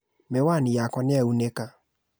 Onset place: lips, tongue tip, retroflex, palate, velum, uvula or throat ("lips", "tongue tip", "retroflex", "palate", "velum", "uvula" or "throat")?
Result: lips